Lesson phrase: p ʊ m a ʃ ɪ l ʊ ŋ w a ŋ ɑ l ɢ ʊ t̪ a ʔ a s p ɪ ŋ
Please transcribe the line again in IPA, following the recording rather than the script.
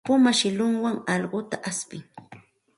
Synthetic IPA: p ʊ m a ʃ ɪ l ʊ ŋ w a ŋ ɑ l ɢ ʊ t̪ a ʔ a s p ɪ ŋ